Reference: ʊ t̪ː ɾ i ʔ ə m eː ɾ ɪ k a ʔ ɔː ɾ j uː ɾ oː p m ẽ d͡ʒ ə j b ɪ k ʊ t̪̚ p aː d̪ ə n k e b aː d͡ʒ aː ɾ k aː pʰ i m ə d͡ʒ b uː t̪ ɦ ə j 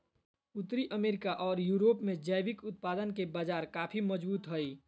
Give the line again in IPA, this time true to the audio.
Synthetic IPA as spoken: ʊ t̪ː ɾ i ʔ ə m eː ɾ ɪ k a ʔ ɔː ɾ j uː ɾ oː p m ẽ d͡ʒ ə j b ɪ k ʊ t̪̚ p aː d̪ ə n k e b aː d͡ʒ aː ɾ k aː pʰ i m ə d͡ʒ b uː t̪ ɦ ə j